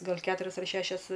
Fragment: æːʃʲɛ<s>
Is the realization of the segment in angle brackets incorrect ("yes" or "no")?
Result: no